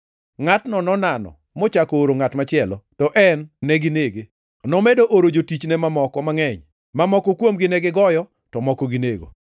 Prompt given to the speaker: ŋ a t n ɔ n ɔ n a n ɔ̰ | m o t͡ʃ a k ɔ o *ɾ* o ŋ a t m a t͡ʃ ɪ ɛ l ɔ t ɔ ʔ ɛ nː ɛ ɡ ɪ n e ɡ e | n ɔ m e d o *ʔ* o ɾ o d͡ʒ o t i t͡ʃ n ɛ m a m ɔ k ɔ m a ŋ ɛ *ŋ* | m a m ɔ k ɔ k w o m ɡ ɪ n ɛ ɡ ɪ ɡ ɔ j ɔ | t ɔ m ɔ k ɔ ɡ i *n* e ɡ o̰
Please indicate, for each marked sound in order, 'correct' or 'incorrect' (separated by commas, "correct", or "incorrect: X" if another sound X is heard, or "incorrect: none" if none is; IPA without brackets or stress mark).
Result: correct, correct, incorrect: ɲ, correct